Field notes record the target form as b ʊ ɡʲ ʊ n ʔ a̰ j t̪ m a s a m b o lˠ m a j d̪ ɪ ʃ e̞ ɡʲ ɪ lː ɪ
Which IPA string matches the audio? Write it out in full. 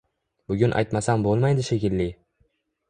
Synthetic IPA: b ʊ ɡʲ ʊ n ʔ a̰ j t̪ m a s a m b o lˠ m a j d̪ ɪ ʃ e̞ kʲ ɪ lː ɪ

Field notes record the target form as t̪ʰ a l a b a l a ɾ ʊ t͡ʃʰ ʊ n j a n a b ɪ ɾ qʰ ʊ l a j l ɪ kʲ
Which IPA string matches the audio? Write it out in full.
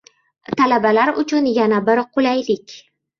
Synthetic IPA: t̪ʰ a l a b a l a ɾ ʊ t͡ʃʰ ʊ n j a n a b ɪ ɾ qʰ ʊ l a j l ɪ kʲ

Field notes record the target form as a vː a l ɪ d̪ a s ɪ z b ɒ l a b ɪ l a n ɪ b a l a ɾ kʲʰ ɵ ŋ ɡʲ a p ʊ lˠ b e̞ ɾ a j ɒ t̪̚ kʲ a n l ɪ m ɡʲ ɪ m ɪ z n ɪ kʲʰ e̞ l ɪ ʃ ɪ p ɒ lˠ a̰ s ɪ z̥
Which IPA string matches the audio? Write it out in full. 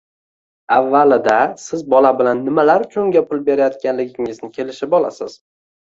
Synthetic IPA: a vː a l ɪ d̪ a s ɪ z b ɒ l a b ɪ l a nː ɪ m a l a ɾ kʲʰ ɵ ŋ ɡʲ a p ʊ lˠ b e̞ ɾ a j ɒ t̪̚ kʲ a n l ɪ ɡʲ ɪ ŋ ɪ z n ɪ kʲʰ e̞ l ɪ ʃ ɪ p ɒ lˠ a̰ s ɪ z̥

